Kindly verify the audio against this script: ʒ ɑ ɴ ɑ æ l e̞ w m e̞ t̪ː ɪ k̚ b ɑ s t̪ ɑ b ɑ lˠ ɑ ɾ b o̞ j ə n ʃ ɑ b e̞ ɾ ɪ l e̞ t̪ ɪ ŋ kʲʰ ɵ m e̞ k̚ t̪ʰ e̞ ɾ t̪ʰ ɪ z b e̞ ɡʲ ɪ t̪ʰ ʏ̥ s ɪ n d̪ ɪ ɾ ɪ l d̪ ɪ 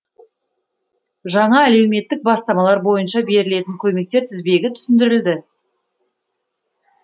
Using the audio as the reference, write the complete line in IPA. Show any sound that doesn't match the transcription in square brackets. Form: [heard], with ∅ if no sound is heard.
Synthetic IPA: ʒ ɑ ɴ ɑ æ l e̞ w m e̞ t̪ː ɪ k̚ b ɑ s t̪ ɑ [m] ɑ lˠ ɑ ɾ b o̞ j ə n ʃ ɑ b e̞ ɾ ɪ l e̞ t̪ ɪ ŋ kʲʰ ɵ m e̞ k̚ [t̪] e̞ ɾ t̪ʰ ɪ z b e̞ ɡʲ ɪ t̪ʰ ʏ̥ s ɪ n d̪ ɪ ɾ ɪ l d̪ ɪ

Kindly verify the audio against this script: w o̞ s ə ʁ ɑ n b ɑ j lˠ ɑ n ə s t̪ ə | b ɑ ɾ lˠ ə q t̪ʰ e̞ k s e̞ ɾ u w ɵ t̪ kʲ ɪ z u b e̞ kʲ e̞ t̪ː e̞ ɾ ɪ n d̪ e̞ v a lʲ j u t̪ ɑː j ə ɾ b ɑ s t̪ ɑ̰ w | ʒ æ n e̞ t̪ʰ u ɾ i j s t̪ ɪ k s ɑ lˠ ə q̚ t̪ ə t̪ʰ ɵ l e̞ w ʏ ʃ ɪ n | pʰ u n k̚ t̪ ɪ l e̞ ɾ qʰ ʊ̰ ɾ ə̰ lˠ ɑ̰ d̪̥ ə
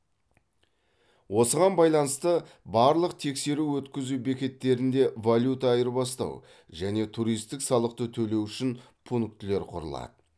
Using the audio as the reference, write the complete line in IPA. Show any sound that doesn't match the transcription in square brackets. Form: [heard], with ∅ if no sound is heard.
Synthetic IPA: w o̞ s ə ʁ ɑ n b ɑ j lˠ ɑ n ə s t̪ ə | b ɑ ɾ lˠ ə q t̪ʰ e̞ k s e̞ ɾ u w ɵ t̪ kʲ ɪ z u b e̞ kʲ e̞ t̪ː e̞ ɾ ɪ n d̪ e̞ v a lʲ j u t̪ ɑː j ə ɾ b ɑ s t̪ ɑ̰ w | ʒ æ n e̞ t̪ʰ u ɾ i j s t̪ ɪ k s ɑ lˠ ə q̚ t̪ ə t̪ʰ ɵ l e̞ w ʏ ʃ ɪ n | pʰ u n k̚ t̪ ɪ l e̞ ɾ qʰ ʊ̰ ɾ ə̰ lˠ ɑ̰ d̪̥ ə

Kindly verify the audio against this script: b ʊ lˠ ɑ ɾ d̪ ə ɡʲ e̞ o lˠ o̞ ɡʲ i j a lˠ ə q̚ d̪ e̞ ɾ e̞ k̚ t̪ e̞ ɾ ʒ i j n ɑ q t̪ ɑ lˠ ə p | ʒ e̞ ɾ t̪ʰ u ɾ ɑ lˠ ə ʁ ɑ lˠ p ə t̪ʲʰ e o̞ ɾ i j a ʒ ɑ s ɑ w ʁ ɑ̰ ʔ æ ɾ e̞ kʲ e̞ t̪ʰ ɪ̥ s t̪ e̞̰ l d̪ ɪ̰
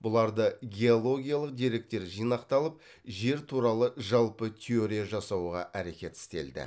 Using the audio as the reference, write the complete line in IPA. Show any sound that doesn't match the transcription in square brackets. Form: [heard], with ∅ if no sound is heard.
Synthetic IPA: b ʊ lˠ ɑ ɾ d̪ ə ɡʲ e̞ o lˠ o̞ ɡʲ i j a lˠ ə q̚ d̪ e̞ ɾ e̞ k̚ t̪ e̞ ɾ ʒ i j n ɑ q t̪ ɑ lˠ ə p | ʒ e̞ ɾ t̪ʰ u ɾ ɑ lˠ ə [ʒ] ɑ lˠ p ə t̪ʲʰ e o̞ ɾ i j a ʒ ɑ s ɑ w ʁ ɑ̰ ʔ æ ɾ e̞ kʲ e̞ [t̪] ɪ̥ s t̪ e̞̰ l d̪ ɪ̰

